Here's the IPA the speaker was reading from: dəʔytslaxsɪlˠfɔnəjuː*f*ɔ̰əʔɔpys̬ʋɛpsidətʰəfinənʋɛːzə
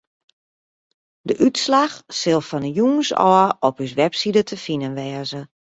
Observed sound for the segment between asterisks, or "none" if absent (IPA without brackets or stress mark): s